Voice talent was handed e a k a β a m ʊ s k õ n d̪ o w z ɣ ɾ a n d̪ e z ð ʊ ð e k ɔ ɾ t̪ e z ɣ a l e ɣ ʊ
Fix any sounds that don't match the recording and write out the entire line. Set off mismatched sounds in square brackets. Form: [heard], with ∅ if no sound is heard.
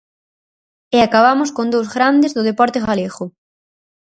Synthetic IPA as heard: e a k a β a m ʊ s k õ n d̪ o w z ɣ ɾ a n d̪ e z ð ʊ ð e [p] ɔ ɾ t̪ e [∅] ɣ a l e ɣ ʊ